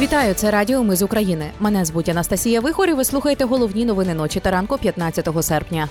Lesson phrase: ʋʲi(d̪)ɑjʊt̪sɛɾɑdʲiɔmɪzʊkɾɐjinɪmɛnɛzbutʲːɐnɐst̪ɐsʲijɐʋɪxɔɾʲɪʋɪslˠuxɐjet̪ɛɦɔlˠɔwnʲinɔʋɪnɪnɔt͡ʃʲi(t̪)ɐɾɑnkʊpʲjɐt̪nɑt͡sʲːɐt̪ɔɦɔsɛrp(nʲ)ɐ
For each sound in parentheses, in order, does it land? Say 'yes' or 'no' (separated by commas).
no, yes, yes